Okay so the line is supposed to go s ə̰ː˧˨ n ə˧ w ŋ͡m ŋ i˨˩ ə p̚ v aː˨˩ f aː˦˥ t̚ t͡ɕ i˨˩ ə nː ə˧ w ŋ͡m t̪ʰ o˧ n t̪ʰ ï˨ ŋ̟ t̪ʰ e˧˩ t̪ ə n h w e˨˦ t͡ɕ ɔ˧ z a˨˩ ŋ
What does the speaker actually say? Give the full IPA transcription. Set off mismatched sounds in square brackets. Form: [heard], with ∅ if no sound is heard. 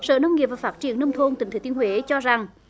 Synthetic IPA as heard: s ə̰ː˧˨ n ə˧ w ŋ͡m ŋ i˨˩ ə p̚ v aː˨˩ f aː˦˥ t̚ t͡ɕ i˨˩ ə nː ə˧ w ŋ͡m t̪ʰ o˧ n [t̪] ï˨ ŋ̟ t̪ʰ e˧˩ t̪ ə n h w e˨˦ t͡ɕ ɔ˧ z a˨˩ ŋ